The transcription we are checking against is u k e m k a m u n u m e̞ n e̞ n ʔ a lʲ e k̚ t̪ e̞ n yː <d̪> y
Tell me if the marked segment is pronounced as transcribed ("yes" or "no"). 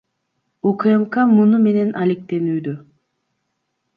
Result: yes